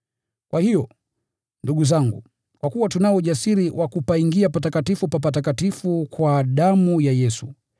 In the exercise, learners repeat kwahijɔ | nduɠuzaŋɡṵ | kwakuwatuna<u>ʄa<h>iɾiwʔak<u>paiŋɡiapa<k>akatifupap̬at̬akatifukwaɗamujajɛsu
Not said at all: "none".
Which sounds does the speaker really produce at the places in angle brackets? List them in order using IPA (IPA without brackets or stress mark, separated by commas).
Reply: ɔ, s, u, t